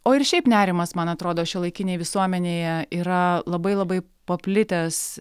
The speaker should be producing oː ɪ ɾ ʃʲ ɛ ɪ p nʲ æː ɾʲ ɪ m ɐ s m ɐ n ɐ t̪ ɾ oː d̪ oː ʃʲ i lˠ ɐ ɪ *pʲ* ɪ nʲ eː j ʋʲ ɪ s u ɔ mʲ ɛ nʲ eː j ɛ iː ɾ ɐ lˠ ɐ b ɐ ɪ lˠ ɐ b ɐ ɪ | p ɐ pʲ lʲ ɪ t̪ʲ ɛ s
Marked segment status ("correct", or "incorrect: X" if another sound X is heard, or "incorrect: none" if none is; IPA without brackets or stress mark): incorrect: kʲ